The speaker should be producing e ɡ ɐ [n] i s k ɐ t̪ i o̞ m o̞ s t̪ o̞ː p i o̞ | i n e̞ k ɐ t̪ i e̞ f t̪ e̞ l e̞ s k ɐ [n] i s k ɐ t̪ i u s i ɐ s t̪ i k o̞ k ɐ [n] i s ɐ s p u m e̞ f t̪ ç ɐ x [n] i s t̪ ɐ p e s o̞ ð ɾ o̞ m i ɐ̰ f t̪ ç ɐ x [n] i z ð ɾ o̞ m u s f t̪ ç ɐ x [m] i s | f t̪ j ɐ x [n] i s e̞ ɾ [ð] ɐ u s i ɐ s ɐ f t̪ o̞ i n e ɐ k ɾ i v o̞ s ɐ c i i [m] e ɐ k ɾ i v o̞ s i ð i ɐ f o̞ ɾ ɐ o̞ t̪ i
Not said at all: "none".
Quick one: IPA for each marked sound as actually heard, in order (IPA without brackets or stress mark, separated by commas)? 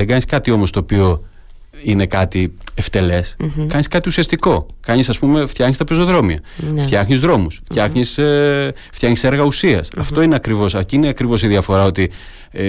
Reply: ɲ, ɲ, ɲ, ɲ, ɲ, ɲ, ɲ, ɣ, n